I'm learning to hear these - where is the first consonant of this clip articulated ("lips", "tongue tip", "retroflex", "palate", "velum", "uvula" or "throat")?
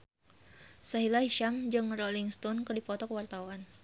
tongue tip